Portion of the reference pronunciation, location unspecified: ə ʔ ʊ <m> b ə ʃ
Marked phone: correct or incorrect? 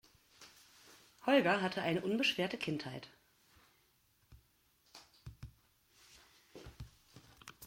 incorrect